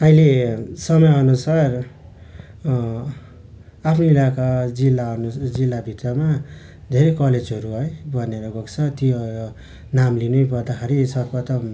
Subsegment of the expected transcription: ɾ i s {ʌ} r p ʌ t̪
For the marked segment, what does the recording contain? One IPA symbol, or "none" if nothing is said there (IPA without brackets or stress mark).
ʌ